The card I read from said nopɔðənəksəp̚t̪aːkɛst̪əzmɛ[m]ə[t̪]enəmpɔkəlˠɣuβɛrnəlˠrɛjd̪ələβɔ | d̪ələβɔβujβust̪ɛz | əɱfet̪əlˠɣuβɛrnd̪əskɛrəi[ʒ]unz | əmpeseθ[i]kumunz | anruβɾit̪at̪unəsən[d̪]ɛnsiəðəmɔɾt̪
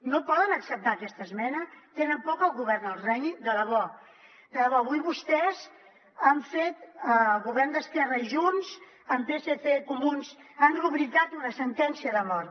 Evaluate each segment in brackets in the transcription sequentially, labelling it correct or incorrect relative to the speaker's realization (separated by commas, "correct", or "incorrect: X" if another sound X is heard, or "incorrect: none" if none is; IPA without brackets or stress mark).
incorrect: n, correct, correct, incorrect: e, incorrect: t̪